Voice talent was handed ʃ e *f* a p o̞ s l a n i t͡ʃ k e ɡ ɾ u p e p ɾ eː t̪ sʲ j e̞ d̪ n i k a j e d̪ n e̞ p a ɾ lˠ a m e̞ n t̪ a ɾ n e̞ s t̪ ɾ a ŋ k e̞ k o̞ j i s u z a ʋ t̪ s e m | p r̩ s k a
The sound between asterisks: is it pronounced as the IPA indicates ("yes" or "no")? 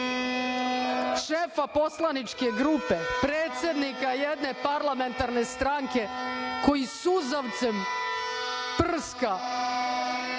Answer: yes